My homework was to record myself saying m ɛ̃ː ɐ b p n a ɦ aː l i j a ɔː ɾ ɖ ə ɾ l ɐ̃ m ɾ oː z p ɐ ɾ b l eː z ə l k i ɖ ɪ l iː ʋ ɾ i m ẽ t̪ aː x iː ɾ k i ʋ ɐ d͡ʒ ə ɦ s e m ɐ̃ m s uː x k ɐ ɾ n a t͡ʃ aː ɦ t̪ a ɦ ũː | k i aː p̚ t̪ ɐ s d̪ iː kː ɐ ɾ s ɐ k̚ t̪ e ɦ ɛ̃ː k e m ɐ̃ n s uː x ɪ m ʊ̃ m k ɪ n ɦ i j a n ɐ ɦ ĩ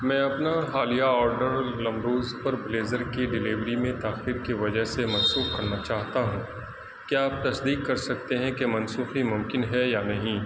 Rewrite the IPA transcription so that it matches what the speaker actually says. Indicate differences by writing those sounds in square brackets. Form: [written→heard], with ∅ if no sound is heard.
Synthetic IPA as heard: m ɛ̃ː ɐ [b→∅] p n a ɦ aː l i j a ɔː ɾ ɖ ə ɾ l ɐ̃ m ɾ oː z p ɐ ɾ b l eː z ə [l→ɾ] k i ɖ ɪ l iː ʋ ɾ i m ẽ t̪ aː x iː ɾ k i ʋ ɐ d͡ʒ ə ɦ s e m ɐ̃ [m→n] s uː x k ɐ ɾ n a t͡ʃ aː ɦ t̪ a ɦ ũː | k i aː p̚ t̪ ɐ s d̪ iː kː ɐ ɾ s ɐ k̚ t̪ e ɦ [ɛ̃ː→ɛ̃] k e m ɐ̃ n s uː x [ɪ→i] m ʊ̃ m k ɪ n ɦ [i→ɛ] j a n ɐ ɦ ĩ